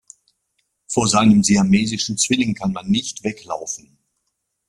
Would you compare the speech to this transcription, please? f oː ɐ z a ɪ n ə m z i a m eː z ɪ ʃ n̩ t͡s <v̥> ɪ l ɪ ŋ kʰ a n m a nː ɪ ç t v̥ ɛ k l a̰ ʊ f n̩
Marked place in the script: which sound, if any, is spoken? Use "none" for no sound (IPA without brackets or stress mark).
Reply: v̥